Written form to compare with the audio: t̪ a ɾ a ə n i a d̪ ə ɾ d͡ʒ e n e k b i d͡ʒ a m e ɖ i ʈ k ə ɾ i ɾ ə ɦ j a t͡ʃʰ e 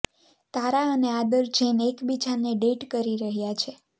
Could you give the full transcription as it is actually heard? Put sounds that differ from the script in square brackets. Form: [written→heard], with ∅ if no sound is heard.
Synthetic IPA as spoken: t̪ a ɾ a ə n [i→e] a d̪ ə ɾ d͡ʒ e n e k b i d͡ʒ a [m→n] e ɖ [i→e] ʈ k ə ɾ i ɾ ə ɦ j a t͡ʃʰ e